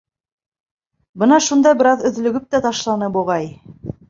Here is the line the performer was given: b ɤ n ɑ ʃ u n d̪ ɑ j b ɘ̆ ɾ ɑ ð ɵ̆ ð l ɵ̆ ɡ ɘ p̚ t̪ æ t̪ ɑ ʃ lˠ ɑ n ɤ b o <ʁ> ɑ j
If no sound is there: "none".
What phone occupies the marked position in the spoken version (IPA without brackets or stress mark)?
ʁ